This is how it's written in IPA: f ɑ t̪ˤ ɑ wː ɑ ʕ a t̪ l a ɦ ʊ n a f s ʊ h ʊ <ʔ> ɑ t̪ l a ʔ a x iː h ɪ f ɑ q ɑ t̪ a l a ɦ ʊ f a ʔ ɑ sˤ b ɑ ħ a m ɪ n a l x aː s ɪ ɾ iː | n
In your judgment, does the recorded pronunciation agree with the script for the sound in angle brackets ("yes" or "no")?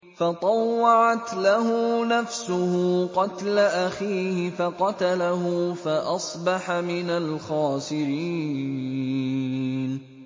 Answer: no